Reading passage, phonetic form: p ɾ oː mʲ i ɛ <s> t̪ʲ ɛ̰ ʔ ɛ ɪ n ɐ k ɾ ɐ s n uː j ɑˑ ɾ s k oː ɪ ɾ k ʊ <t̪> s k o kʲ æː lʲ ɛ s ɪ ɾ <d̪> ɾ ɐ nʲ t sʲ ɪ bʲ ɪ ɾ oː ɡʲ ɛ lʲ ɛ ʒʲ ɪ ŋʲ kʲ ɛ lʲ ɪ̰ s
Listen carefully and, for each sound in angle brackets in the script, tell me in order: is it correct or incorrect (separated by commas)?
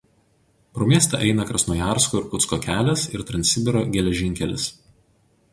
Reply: correct, correct, incorrect